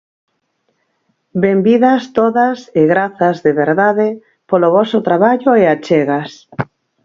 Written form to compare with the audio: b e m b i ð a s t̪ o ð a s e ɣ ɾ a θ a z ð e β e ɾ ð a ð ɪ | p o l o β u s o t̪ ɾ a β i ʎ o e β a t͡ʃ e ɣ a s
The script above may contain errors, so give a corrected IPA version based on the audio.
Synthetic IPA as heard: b e m b i ð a s t̪ o ð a s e ɣ ɾ a θ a z ð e β e ɾ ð a ð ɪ | p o l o β ɔ s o t̪ ɾ a β a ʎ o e a t͡ʃ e ɣ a s